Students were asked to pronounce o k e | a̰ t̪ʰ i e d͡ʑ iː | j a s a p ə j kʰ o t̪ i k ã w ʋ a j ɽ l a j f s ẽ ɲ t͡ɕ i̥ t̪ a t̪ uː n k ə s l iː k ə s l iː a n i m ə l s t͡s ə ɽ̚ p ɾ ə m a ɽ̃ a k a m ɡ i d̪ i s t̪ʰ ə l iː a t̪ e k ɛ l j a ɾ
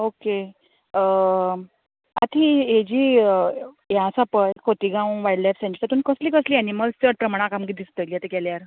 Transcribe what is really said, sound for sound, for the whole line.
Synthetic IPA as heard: o k e | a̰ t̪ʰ i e d͡ʑ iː | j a s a p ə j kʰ o t̪ i ɡ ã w ʋ a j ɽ l a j f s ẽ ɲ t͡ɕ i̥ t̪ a t̪ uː n k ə s l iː k ə s l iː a n i m ə l s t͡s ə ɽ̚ p ɾ ə m a ɽ̃ a k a m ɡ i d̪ i s t̪ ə l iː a t̪ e k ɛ l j a ɾ